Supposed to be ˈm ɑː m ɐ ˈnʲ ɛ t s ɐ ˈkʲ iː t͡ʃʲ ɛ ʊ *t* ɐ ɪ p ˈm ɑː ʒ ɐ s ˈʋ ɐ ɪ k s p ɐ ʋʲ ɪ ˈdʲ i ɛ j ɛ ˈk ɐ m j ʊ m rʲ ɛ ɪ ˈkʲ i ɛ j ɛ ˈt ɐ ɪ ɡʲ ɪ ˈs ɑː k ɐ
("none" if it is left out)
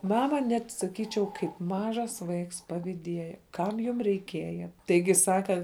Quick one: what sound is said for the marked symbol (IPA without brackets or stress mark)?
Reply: k